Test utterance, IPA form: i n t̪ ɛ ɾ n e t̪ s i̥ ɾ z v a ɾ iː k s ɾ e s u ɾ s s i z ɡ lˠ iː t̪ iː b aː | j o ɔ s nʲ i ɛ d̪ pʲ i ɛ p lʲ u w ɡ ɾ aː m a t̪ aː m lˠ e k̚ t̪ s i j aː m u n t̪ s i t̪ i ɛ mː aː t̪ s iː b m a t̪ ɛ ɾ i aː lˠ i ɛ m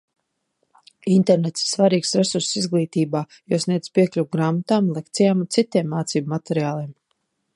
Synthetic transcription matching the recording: i n t̪ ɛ ɾ n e t̪ s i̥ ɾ s v a ɾ iː k s ɾ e s u ɾ s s i z ɡ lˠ iː t̪ iː b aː | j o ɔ s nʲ i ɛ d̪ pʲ i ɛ k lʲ u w ɡ ɾ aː m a t̪ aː m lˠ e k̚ t̪ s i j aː m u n t̪ s i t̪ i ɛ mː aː t̪ s iː b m a t̪ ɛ ɾ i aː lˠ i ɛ m